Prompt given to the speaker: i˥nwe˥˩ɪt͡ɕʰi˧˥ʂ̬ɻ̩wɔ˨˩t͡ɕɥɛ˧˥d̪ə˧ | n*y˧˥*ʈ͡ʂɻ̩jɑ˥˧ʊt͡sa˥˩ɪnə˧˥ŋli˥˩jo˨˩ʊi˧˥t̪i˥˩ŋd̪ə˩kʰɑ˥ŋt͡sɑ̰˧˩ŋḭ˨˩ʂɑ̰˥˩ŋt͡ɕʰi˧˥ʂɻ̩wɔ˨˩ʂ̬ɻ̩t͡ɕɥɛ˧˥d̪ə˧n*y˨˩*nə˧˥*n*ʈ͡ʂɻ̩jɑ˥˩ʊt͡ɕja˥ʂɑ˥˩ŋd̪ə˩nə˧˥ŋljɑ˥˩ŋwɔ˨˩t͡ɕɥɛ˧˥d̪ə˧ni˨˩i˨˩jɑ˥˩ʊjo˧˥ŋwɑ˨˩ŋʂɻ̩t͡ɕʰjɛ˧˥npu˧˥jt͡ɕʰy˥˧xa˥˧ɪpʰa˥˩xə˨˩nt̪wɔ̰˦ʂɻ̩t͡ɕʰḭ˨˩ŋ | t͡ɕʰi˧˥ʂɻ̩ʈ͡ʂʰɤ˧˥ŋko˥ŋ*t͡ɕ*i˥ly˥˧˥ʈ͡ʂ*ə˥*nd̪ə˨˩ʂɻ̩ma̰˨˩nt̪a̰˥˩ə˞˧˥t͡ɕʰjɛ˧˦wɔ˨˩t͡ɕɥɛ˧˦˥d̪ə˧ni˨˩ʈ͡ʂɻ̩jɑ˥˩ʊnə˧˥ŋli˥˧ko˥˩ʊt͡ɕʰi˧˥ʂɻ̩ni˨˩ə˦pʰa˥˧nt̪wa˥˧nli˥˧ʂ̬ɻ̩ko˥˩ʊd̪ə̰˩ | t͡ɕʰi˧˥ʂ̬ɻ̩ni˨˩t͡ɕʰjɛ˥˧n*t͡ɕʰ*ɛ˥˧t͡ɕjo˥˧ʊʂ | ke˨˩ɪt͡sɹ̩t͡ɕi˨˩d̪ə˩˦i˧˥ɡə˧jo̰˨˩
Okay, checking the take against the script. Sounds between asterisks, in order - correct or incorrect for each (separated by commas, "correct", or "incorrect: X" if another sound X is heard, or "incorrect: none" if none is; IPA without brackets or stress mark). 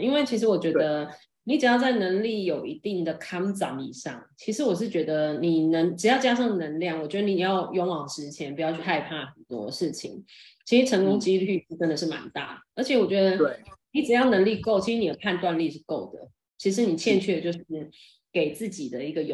incorrect: i˧˥, incorrect: i˨˩, incorrect: ŋ, correct, correct, correct